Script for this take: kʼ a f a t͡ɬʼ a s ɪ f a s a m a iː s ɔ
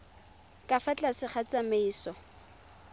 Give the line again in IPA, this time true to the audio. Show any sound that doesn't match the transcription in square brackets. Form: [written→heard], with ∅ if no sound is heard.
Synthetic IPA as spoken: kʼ a f a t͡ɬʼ a s ɪ [f→χ] a [s→t͡s] a m [a→e] iː s ɔ

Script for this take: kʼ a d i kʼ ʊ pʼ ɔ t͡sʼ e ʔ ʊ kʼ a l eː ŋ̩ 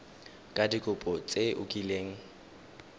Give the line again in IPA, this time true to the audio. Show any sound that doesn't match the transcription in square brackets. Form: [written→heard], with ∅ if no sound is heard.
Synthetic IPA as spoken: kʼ a d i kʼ ʊ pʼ ɔ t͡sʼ e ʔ ʊ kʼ [a→i] l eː ŋ̩

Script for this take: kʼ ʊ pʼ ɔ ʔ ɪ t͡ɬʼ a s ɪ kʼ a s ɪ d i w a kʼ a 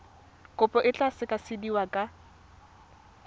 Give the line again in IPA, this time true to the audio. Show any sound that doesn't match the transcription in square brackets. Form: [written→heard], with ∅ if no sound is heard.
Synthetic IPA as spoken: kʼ ʊ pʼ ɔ ʔ ɪ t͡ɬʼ a s ɪ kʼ a s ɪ d i w a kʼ a

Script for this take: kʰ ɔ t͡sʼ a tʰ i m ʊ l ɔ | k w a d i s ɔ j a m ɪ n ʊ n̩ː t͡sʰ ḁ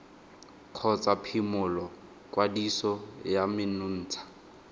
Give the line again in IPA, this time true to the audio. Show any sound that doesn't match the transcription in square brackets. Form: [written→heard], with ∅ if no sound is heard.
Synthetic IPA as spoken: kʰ ɔ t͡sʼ a [tʰ→pʰ] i m ʊ l ɔ | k w a d i s ɔ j a m ɪ n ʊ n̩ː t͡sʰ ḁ

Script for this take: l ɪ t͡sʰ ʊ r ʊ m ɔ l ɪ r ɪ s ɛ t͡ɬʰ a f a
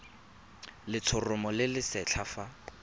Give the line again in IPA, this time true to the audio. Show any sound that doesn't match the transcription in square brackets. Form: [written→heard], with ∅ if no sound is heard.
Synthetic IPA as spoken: l ɪ t͡sʰ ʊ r ʊ m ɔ l ɪ [r→l] ɪ s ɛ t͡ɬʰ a f a

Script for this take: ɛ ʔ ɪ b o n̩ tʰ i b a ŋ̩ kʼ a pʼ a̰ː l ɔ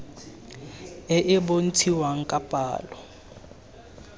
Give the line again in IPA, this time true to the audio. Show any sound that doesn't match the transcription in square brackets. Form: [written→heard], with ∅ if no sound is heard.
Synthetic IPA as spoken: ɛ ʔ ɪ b o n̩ tʰ i [b→w] a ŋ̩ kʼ a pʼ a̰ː l ɔ

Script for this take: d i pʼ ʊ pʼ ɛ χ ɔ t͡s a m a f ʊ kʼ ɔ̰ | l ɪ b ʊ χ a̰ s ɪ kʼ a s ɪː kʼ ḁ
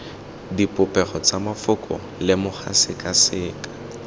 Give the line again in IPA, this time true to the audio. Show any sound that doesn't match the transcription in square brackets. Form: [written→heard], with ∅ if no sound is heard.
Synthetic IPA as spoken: d i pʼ ʊ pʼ ɛ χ ɔ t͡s a m a f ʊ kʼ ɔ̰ | l ɪ [b→m] ʊ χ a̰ s ɪ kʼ a s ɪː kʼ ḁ

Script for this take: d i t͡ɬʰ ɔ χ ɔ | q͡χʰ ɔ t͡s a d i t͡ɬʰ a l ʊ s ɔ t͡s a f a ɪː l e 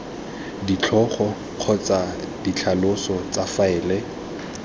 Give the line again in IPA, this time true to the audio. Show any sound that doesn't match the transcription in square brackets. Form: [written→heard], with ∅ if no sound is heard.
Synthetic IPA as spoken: d i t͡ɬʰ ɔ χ ɔ | q͡χʰ ɔ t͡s a d i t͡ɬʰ a l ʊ s ɔ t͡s a f a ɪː l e

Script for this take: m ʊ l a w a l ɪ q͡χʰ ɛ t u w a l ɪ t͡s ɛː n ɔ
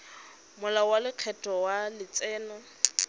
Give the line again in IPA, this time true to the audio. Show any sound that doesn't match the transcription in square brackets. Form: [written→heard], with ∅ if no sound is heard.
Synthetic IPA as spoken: m ʊ l a w a l ɪ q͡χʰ ɛ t [u→ɔ] w a l ɪ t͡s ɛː n ɔ

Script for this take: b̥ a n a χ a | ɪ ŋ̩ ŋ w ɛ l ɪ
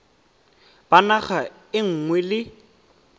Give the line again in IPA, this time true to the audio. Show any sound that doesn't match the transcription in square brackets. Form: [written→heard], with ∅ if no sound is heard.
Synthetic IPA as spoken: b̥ a n a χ a | ɪ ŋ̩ ŋ w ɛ l ɪ

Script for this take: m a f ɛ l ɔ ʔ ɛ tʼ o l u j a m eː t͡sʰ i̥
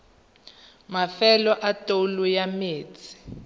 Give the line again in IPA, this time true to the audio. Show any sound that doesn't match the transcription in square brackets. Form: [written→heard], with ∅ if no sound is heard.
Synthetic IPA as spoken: m a f ɛ l ɔ ʔ [ɛ→a] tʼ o l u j a m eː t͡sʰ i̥

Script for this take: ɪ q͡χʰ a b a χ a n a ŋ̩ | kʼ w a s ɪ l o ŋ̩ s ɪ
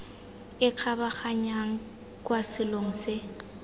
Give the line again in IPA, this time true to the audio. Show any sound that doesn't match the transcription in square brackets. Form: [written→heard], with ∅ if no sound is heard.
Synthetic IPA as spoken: ɪ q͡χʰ a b a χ a [n→ɲ] a ŋ̩ | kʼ w a s ɪ l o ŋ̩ s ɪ

